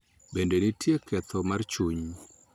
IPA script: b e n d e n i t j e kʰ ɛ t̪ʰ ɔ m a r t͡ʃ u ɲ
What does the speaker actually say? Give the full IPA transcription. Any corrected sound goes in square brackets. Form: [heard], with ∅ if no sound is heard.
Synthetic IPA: b e n d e n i t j e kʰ ɛ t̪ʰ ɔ m a r t͡ʃ u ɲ